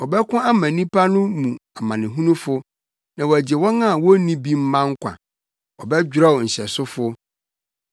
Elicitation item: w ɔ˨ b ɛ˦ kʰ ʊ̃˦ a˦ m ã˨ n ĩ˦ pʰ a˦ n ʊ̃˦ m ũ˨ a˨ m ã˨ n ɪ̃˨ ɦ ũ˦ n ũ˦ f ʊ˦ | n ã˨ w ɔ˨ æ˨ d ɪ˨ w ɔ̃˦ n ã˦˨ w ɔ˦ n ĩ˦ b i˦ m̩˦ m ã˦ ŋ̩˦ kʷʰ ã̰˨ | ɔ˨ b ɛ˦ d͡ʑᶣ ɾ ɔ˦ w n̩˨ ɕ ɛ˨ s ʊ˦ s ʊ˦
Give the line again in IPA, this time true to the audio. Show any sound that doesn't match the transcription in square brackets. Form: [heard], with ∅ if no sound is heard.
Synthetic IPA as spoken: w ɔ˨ b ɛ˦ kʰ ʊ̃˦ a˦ m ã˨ n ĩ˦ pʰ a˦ n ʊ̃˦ m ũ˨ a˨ m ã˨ n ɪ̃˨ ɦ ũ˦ n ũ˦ f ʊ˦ | n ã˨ w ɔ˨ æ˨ [d͡ʑ] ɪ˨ w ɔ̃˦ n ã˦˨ w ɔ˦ n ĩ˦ b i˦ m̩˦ m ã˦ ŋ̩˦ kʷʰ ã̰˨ | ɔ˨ b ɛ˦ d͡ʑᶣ ɾ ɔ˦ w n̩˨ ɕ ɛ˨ s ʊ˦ [f] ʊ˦